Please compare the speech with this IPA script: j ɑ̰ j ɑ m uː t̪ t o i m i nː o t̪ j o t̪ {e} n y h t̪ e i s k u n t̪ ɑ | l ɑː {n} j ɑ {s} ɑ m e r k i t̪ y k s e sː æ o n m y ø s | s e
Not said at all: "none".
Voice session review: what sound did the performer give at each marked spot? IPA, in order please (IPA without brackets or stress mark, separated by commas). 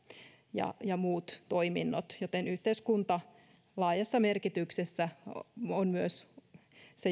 e, none, sː